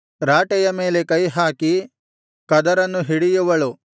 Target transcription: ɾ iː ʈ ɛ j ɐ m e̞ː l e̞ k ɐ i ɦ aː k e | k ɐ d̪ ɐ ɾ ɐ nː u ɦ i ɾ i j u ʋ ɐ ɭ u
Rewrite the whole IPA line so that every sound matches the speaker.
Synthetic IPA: ɾ aː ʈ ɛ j ɐ m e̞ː l e̞ k ɐ j ɦ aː k i | k ɐ d̪ ɐ ɾ ɐ nː u ɦ i ɽ i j u ʋ ɐ ɭ u